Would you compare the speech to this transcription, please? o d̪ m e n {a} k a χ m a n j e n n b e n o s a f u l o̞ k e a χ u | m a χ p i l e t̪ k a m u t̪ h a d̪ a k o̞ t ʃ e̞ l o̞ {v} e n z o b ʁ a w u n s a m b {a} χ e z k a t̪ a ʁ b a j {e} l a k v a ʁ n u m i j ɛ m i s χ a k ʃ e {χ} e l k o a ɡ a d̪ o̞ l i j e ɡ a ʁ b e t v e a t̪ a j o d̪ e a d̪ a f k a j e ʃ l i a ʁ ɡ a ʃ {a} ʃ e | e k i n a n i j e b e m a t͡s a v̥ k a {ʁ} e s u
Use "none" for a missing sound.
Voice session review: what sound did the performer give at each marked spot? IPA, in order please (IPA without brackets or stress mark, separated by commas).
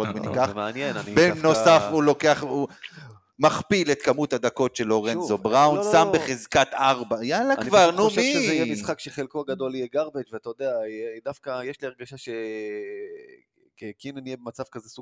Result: i, ʁ, e, a, χ, a, z